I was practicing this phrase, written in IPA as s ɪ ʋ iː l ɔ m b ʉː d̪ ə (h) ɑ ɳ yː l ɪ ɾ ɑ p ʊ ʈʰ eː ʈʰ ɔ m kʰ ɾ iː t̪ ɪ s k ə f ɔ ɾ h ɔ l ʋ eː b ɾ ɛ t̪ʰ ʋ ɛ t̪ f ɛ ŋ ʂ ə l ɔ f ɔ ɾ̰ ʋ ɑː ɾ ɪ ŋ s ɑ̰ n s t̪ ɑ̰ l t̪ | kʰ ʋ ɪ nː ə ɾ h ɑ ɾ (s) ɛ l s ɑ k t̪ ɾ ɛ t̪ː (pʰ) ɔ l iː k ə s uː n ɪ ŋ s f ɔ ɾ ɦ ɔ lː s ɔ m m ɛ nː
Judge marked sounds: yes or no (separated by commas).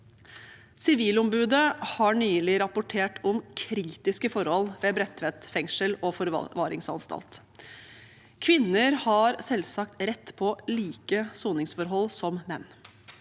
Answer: yes, yes, yes